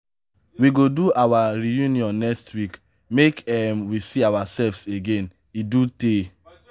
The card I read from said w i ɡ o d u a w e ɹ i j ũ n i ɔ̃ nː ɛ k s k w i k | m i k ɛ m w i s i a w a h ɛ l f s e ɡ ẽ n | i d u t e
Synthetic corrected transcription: w i ɡ o d u a w a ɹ i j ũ n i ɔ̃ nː ɛ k s t w i k | m e k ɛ m w i s i a w a s ɛ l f s e ɡ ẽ n | i d u t e